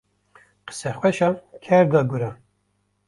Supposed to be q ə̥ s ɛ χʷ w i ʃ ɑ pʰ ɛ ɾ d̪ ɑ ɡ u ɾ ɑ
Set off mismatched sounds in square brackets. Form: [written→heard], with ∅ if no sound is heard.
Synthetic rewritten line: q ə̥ s ɛ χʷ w [i→ɛ] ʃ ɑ [pʰ→kʰ] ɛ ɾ d̪ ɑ ɡ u ɾ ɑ